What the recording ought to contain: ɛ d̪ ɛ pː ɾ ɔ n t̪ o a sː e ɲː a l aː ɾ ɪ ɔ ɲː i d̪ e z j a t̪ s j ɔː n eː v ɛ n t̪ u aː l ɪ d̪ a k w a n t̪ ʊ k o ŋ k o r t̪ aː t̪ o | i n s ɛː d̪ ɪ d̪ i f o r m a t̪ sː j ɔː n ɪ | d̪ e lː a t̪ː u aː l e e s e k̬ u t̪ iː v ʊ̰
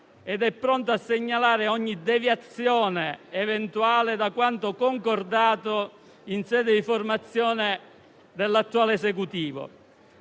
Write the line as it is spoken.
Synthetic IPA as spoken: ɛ d̪ ɛ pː ɾ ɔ n t̪ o a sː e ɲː a l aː ɾ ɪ ɔ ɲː i d̪ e v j a t̪ s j ɔː n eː v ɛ n t̪ u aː l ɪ d̪ a k w a n t̪ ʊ k o ŋ k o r d̪ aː t̪ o | i n s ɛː d̪ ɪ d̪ i f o r m a t̪ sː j ɔː n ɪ | d̪ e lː a t̪ː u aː l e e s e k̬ u t̪ iː v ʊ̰